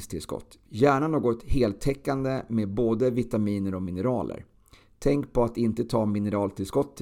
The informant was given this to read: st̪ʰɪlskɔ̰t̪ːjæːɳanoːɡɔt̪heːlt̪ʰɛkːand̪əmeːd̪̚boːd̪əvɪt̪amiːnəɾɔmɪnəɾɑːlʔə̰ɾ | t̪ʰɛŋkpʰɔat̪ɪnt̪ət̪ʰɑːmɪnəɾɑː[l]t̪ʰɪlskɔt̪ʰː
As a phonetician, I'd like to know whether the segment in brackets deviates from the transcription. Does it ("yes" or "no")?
no